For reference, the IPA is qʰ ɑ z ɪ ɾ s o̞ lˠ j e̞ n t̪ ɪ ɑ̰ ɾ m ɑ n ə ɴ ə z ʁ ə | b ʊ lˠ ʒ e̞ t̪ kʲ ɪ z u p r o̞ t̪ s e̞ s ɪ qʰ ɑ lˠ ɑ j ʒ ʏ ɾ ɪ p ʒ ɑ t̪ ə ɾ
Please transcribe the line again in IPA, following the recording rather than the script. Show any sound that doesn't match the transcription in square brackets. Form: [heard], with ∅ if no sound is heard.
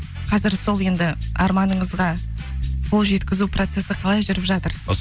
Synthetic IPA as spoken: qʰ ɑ z ɪ ɾ s o̞ lˠ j e̞ n [d̪] ɪ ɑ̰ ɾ m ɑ n ə ɴ ə z ʁ [ɑ] | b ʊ lˠ ʒ e̞ t̪ kʲ ɪ z u p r o̞ t̪ s e̞ s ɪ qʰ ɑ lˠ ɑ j ʒ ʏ ɾ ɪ p ʒ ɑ t̪ ə ɾ

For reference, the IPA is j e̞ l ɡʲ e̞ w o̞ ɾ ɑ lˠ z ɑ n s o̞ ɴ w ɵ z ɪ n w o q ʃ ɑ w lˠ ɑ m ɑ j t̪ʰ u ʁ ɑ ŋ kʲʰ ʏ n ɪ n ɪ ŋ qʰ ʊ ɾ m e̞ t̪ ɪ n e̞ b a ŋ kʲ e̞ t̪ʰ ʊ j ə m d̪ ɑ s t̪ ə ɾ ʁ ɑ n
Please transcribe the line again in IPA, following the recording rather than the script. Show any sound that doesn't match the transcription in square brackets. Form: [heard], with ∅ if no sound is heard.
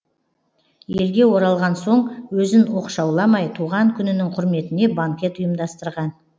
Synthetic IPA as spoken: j e̞ l ɡʲ e̞ w o̞ ɾ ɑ lˠ [ʁ] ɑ n s o̞ ɴ w ɵ z ɪ n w o q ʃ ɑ w lˠ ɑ m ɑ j t̪ʰ u ʁ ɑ ŋ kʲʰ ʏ n ɪ n ɪ ŋ qʰ ʊ ɾ m e̞ t̪ ɪ n e̞ b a ŋ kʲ e̞ [t̪] ʊ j ə m d̪ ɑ s t̪ ə ɾ ʁ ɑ n

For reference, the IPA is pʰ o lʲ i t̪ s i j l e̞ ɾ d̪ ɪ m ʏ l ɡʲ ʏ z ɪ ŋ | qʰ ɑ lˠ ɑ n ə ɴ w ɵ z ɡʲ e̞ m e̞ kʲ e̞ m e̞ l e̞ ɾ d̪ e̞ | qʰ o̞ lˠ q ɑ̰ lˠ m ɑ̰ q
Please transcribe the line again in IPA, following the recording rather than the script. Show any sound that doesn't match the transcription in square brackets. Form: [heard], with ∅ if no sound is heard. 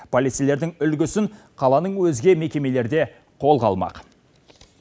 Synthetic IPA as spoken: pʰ o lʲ i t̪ s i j l e̞ ɾ d̪ ɪ [ŋ] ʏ l ɡʲ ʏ [s] ɪ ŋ | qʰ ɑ lˠ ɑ n ə ɴ w ɵ z ɡʲ e̞ m e̞ kʲ e̞ m e̞ l e̞ ɾ d̪ e̞ | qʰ o̞ lˠ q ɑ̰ lˠ m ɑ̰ q

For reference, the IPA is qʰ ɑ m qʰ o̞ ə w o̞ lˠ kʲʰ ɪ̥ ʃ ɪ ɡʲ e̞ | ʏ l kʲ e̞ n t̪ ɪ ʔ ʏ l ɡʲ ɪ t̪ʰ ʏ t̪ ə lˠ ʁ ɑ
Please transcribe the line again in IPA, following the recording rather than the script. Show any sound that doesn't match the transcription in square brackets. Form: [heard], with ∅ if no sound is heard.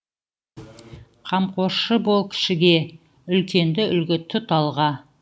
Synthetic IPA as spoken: qʰ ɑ m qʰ o̞ ə [b] o̞ lˠ kʲʰ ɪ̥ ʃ ɪ ɡʲ e̞ | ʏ l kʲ e̞ n [d̪] ɪ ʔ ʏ l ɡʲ ɪ t̪ʰ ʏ t̪ [ɑ] lˠ ʁ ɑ

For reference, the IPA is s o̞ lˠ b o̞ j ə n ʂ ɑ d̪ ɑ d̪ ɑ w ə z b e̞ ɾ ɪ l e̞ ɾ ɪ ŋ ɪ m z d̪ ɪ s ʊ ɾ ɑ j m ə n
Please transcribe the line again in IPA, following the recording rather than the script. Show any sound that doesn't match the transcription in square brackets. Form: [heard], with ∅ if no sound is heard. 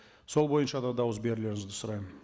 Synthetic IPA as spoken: s o̞ lˠ b o̞ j ə n [ʃ] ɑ d̪ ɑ d̪ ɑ w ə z b e̞ ɾ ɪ l e̞ ɾ ɪ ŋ ɪ [∅] z d̪ ɪ s ʊ ɾ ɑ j m ə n

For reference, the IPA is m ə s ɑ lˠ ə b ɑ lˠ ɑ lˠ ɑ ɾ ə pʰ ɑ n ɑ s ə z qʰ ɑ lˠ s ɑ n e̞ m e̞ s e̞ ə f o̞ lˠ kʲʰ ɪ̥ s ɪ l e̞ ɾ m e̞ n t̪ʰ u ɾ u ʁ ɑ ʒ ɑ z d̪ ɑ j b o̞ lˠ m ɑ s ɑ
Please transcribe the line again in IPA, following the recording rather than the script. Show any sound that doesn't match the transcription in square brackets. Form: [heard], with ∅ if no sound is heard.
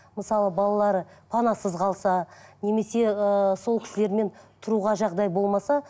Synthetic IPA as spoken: m ə s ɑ lˠ ə b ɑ lˠ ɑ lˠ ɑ ɾ ə pʰ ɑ n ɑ s ə z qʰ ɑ lˠ s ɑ n e̞ m e̞ s e̞ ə [s] o̞ lˠ [kʲ] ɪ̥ s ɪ l e̞ ɾ m e̞ n t̪ʰ [ʊ] ɾ u ʁ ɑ ʒ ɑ [ʁ] d̪ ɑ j b o̞ lˠ m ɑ s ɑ

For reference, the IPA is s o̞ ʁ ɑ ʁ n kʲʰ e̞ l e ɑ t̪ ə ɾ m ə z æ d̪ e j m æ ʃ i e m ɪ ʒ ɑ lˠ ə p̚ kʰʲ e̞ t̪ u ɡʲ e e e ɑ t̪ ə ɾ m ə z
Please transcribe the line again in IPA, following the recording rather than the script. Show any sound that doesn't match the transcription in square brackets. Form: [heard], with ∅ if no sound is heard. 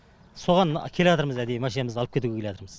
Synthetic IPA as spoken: s o̞ ʁ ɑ [∅] n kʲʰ e̞ l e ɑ t̪ ə ɾ m ə z æ d̪ e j m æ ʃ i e m ɪ [z] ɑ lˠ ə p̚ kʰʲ e̞ t̪ u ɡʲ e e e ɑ t̪ ə ɾ m ə z

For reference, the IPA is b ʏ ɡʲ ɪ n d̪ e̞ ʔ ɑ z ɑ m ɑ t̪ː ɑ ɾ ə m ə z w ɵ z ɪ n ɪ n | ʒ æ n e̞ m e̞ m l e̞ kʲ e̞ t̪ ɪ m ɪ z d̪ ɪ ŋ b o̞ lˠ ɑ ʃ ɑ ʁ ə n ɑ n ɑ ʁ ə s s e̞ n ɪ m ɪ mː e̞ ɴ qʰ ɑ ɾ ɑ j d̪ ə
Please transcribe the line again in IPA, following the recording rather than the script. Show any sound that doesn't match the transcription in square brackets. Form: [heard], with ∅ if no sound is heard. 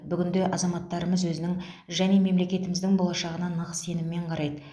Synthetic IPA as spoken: b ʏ ɡʲ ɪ n d̪ e̞ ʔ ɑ z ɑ m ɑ t̪ː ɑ ɾ ə m ə z w ɵ z ɪ n ɪ [ŋ] | ʒ æ n e̞ m e̞ m l e̞ kʲ e̞ t̪ ɪ m ɪ z d̪ ɪ ŋ b o̞ lˠ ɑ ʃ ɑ ʁ ə n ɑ n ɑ ʁ ə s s e̞ n ɪ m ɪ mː e̞ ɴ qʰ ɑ ɾ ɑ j d̪ ə

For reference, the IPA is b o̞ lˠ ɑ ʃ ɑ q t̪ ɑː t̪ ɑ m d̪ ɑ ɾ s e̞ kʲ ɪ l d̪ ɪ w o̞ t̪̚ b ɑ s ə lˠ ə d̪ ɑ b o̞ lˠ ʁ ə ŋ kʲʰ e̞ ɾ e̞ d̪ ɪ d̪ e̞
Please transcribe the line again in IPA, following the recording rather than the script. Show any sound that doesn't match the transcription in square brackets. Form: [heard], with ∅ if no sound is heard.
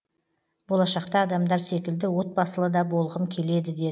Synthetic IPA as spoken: b o̞ lˠ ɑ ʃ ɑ q t̪ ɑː [d̪] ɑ m d̪ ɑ ɾ s e̞ kʲ ɪ l d̪ ɪ w o̞ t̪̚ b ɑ s ə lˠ ə d̪ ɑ b o̞ lˠ ʁ ə [m] kʲʰ e̞ [l] e̞ d̪ ɪ d̪ e̞

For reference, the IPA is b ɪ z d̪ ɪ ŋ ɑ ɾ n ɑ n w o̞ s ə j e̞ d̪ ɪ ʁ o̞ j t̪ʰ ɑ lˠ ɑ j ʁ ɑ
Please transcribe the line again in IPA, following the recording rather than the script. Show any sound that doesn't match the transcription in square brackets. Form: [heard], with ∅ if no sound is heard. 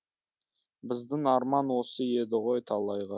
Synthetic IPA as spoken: b ɪ z d̪ ɪ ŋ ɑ ɾ [m] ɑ n w o̞ s ə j e̞ d̪ ɪ ʁ o̞ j t̪ʰ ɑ lˠ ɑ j ʁ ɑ

